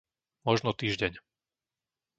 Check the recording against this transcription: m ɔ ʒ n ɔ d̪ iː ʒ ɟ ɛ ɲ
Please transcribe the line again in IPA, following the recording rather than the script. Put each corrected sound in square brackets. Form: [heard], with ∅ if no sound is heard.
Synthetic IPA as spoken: m ɔ ʒ n ɔ [t̪] iː ʒ ɟ ɛ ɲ